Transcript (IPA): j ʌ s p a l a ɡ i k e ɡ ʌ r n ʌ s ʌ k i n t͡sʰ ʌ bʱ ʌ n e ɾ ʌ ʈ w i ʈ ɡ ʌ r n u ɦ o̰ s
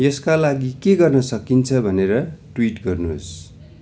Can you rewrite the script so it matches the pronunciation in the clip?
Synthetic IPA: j ʌ s k a l a ɡ i k e ɡ ʌ r n ʌ s ʌ k i n t͡sʰ ʌ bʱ ʌ n e ɾ ʌ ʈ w i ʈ ɡ ʌ r n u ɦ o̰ s